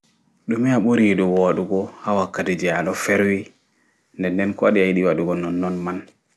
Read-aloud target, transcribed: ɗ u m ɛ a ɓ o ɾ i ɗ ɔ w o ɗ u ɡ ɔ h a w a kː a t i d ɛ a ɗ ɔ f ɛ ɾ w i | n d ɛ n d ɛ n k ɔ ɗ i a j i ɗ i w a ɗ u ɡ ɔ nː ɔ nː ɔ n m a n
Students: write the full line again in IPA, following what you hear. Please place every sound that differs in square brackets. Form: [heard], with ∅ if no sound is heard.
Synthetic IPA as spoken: ɗ u m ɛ a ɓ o ɾ i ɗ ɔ w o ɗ u ɡ ɔ h a w a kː a t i [d͡ʒ] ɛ a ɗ ɔ f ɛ ɾ w i | n d ɛ n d ɛ n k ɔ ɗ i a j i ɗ i w a ɗ u ɡ ɔ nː ɔ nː ɔ n m a n

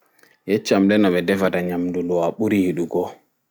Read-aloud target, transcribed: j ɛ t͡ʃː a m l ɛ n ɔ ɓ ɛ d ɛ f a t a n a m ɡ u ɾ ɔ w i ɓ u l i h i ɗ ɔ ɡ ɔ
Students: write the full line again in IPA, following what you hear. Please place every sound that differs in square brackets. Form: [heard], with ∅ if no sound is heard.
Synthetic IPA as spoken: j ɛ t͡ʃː a m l ɛ n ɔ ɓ ɛ d ɛ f a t a [ɲ] a m [d] u [l] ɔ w [a] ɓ u [ɾ] i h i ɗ [u] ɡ ɔ

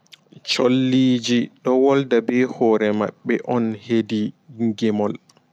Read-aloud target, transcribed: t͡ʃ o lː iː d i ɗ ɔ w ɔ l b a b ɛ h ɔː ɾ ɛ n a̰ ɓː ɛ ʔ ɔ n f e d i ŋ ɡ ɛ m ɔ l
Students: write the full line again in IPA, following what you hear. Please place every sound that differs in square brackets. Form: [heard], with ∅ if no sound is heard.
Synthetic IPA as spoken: t͡ʃ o lː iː [d͡ʒ] i ɗ ɔ w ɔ l [d] a b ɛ h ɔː ɾ ɛ [m] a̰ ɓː ɛ ʔ ɔ n [h] e d i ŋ ɡ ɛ m ɔ l

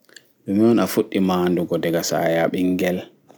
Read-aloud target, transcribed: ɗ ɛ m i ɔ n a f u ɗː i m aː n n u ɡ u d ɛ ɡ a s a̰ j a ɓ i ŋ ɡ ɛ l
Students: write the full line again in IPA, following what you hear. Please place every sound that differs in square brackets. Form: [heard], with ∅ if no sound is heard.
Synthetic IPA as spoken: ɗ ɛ m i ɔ n a f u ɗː i m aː n [d] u ɡ [ɔ] d ɛ ɡ a s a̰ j a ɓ i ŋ ɡ ɛ l

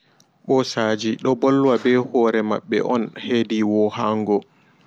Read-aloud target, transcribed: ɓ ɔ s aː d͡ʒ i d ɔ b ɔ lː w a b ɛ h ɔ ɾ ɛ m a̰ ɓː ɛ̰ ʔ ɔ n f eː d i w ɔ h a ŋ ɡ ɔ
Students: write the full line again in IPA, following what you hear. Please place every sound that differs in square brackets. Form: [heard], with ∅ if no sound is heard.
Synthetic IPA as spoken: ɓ ɔ s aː d͡ʒ i [ɗ] ɔ b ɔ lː w a b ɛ h ɔ ɾ ɛ m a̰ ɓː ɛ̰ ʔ ɔ n [h] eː d i w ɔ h a ŋ ɡ ɔ

